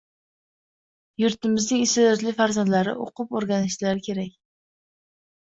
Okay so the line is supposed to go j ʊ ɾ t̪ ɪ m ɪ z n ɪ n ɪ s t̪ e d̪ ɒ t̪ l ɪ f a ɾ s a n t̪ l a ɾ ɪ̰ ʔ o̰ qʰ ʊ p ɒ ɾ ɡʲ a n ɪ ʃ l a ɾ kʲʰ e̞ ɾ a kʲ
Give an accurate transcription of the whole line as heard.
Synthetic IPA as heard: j ʊ ɾ t̪ ɪ m ɪ z n ɪ ŋ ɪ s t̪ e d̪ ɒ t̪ l ɪ f a ɾ z a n d̪ l a ɾ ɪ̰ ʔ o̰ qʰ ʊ p o ɾ ɡʲ a n ɪ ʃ l a ɾ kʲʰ e̞ ɾ a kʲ